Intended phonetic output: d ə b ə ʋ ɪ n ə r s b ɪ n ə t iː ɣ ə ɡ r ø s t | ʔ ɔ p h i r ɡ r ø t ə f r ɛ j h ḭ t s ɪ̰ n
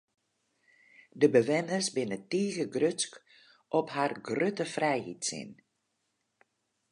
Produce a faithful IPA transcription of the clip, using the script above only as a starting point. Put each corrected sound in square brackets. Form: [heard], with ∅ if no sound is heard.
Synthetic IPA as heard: d ə b ə ʋ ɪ n ə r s b ɪ n ə t iː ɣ ə ɡ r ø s [k] | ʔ ɔ p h [a] r ɡ r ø t ə f r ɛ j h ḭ t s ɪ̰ n